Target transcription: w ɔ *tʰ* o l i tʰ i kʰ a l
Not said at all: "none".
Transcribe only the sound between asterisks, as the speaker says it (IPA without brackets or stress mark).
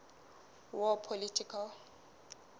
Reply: pʰ